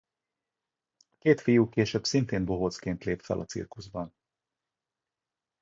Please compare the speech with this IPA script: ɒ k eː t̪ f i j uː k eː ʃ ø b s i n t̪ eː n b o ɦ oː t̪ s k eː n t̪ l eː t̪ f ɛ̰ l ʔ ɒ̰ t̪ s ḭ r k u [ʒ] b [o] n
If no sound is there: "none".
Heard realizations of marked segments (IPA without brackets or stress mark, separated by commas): z, ɒ